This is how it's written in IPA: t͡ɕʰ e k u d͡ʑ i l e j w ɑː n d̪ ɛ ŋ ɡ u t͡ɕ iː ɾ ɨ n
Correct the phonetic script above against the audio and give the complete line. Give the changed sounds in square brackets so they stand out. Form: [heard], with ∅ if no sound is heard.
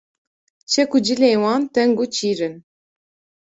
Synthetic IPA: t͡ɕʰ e k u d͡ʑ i l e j w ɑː n [t̪] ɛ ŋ ɡ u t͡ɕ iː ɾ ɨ n